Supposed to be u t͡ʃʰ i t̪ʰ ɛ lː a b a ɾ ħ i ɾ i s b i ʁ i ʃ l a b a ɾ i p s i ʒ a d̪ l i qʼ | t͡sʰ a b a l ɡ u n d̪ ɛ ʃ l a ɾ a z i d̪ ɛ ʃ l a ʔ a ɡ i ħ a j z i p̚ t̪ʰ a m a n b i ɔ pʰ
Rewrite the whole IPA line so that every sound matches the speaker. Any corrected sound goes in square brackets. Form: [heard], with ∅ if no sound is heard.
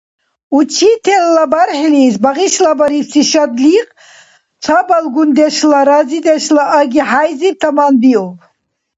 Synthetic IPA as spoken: u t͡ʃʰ i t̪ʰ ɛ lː a b a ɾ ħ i [l] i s b [a] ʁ i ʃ l a b a ɾ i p s i [ʃ] a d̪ l i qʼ | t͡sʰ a b a l ɡ u n d̪ ɛ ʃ l a ɾ a z i d̪ ɛ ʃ l a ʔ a ɡ i ħ a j z i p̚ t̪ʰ a m a n b i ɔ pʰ

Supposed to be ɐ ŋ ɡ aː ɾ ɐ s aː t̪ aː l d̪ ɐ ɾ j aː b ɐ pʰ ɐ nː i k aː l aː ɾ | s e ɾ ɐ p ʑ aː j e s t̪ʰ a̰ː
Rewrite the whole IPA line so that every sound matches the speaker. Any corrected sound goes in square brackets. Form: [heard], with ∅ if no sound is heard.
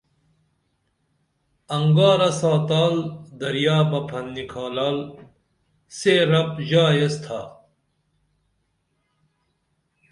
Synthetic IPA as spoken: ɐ ŋ ɡ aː ɾ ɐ s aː t̪ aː l d̪ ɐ ɾ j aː b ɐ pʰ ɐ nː i [kʰ] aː l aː [l] | s e ɾ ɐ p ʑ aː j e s t̪ʰ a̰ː

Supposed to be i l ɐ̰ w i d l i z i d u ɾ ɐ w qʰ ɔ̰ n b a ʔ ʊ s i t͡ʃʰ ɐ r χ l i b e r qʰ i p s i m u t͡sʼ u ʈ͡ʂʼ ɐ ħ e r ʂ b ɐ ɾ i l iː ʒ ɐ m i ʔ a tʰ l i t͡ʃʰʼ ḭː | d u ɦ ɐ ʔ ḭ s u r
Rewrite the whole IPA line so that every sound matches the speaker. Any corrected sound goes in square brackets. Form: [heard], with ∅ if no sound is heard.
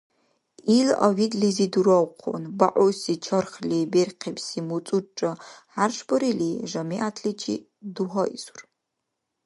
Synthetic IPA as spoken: i l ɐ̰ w i d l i z i d u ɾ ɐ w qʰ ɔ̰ n b a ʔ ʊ s i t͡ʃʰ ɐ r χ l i b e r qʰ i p s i m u t͡sʼ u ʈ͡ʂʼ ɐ ħ [a] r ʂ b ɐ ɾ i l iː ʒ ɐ m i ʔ a tʰ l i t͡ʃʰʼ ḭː | d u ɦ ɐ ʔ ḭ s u r

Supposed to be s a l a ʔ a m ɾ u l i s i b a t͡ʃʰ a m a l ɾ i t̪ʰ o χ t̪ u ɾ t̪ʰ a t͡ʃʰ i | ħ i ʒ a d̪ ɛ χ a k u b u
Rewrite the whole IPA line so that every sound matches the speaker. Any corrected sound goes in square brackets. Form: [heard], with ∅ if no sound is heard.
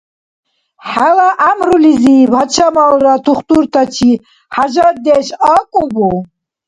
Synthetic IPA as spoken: [ħ] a l a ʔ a m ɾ u l i [z] i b a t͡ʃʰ a m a l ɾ [a] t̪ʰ [u] χ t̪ u ɾ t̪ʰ a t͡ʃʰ i | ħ [a] ʒ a d̪ ɛ [ʃ] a [kʼ] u b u

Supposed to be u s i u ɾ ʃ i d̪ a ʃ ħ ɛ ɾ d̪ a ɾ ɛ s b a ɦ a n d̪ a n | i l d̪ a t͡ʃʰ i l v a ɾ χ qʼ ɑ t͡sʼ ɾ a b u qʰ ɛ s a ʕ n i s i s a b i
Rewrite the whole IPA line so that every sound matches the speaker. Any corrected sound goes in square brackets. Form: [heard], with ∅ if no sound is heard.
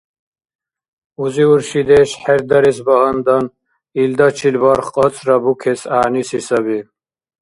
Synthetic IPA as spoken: u [z] i u ɾ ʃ i d̪ [ɛ] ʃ ħ ɛ ɾ d̪ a ɾ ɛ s b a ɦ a n d̪ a n | i l d̪ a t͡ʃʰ i l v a ɾ χ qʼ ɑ t͡sʼ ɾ a b u [kʰ] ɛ s a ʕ n i s i s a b i

